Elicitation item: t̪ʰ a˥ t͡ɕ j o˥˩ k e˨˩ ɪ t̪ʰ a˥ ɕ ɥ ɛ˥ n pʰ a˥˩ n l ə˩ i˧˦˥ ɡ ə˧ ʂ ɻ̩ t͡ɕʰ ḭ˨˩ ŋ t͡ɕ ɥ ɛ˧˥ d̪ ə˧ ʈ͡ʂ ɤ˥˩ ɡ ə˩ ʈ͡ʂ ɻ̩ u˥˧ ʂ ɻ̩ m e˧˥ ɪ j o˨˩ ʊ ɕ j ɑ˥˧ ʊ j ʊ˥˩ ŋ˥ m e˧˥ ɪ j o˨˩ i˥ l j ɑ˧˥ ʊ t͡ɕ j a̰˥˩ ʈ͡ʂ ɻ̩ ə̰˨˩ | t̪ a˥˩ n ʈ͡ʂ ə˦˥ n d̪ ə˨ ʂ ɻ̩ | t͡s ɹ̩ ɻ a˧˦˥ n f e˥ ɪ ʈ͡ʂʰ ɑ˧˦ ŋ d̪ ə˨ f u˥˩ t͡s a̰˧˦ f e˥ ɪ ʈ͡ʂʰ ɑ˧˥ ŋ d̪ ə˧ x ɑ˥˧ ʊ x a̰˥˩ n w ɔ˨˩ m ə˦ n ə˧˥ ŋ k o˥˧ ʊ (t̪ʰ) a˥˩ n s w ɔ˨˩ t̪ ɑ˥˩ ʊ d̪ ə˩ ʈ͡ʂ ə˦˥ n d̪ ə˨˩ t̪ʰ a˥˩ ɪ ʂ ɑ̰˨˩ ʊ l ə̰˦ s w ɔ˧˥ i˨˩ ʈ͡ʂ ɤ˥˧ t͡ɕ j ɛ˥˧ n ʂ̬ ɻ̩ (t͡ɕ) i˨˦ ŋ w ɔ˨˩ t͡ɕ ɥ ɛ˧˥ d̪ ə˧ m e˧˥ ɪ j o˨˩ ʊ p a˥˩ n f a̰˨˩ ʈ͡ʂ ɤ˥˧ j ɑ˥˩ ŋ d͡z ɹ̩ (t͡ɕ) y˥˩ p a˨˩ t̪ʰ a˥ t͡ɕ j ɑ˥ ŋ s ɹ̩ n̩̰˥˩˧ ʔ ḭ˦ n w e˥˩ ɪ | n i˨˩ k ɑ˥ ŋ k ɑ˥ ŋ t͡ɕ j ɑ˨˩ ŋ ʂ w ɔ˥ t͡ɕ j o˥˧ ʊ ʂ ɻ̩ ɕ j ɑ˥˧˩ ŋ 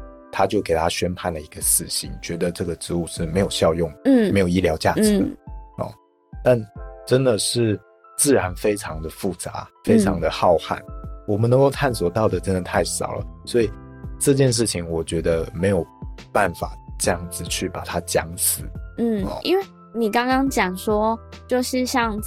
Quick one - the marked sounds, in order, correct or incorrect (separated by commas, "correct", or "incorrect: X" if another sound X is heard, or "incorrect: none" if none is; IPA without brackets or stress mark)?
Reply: correct, incorrect: t͡ɕʰ, incorrect: t͡ɕʰ